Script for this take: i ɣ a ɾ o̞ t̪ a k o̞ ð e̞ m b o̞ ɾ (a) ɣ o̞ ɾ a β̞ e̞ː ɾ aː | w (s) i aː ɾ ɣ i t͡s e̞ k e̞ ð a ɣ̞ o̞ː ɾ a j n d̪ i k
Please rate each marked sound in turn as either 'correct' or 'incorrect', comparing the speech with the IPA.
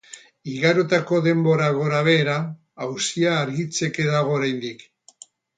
correct, correct

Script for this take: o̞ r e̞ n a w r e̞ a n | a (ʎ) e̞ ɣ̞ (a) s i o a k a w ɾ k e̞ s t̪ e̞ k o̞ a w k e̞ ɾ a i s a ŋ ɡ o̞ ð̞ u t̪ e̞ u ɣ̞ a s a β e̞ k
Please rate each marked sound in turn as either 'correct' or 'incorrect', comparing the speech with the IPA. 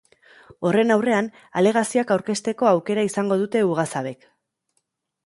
incorrect, correct

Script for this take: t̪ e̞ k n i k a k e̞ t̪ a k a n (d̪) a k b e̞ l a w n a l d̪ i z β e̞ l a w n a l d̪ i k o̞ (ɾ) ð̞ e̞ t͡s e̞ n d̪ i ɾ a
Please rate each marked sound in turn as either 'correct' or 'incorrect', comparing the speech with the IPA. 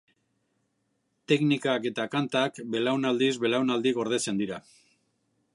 incorrect, correct

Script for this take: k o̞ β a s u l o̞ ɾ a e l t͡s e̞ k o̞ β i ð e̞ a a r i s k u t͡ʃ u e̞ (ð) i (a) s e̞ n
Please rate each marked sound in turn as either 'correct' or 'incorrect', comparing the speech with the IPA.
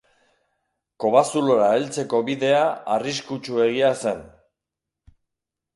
incorrect, correct

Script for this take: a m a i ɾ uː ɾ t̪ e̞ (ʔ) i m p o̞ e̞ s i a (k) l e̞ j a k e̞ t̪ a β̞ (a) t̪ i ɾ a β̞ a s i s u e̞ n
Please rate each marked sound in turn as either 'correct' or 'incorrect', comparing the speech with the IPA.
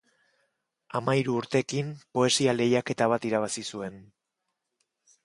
incorrect, incorrect, correct

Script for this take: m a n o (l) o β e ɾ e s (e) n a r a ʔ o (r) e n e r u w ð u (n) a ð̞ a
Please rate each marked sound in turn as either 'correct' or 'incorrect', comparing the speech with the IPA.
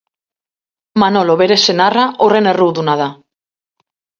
correct, correct, correct, correct

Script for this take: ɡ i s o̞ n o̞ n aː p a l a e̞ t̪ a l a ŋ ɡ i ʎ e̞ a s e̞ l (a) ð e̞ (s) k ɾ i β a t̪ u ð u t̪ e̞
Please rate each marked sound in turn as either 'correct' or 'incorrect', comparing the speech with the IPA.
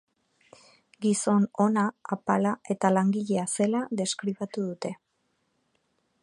correct, correct

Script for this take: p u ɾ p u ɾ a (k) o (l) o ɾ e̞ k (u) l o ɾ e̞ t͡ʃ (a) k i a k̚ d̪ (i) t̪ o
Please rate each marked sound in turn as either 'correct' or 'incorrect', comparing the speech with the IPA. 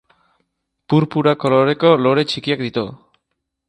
correct, correct, incorrect, incorrect, correct

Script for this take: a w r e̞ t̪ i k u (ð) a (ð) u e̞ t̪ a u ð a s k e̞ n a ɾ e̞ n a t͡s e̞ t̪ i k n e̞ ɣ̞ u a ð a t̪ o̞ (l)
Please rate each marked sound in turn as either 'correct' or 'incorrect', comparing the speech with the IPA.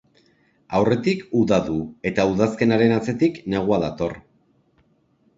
correct, correct, incorrect

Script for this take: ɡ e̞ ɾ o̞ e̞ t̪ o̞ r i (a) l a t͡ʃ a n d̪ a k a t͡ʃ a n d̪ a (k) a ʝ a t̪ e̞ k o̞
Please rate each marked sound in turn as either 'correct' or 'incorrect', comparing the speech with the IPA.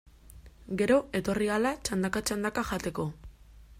correct, correct

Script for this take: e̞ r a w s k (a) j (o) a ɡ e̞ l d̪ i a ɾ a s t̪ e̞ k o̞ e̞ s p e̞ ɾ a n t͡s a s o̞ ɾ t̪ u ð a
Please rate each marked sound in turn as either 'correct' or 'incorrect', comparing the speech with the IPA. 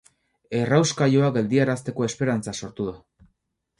correct, correct

